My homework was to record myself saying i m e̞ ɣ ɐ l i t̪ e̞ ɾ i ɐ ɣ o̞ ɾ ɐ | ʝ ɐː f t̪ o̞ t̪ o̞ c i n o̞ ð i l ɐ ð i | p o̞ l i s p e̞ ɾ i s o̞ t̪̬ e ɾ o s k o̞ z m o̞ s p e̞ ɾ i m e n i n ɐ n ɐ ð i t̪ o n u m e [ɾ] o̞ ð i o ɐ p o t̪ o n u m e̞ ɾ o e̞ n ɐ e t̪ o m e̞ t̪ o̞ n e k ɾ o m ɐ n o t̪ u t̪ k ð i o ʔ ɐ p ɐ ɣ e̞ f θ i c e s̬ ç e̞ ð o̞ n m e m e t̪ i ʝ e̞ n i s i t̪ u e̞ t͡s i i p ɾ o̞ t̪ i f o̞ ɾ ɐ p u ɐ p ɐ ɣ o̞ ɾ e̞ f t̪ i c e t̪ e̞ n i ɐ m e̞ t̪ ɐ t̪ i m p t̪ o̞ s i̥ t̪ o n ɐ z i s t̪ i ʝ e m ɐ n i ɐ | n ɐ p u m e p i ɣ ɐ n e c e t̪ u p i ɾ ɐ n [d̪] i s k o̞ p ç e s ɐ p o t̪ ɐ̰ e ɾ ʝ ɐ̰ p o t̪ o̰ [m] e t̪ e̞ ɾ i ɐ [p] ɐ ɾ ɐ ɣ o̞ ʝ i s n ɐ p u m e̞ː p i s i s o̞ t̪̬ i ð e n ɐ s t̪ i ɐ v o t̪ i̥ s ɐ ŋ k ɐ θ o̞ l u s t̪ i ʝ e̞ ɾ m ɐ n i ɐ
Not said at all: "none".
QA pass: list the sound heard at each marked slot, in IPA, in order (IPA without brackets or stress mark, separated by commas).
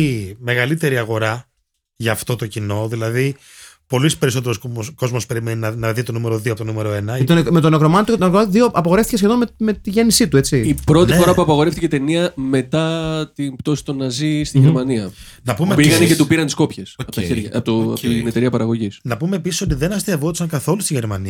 ɾ, t̪, n, p